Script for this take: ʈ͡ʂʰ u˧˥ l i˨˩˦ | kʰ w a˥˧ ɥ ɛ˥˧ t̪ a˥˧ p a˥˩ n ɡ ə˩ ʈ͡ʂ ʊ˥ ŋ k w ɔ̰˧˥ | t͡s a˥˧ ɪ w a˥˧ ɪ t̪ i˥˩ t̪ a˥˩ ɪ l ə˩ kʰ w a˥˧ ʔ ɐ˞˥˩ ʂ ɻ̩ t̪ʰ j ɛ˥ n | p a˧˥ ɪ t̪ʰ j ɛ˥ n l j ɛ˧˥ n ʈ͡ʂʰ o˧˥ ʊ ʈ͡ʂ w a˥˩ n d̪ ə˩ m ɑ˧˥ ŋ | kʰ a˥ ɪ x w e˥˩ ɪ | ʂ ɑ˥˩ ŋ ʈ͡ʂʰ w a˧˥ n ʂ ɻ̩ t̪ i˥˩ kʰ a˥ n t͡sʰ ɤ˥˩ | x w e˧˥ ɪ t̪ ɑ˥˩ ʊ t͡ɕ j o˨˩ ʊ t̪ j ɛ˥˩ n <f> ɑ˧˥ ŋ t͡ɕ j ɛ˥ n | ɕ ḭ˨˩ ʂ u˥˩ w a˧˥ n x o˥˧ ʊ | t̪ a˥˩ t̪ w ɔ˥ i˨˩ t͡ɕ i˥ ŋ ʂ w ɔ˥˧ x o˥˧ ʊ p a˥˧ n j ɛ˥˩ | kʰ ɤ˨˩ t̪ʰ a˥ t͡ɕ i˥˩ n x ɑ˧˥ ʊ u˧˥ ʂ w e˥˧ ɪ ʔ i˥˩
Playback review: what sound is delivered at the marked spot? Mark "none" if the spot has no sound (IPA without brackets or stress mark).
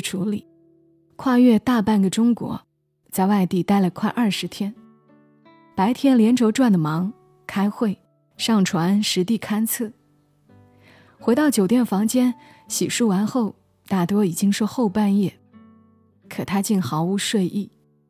f